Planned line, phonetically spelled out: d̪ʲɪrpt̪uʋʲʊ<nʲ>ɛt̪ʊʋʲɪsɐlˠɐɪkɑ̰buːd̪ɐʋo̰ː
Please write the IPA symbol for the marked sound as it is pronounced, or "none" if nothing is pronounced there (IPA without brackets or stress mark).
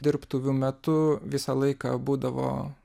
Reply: mʲ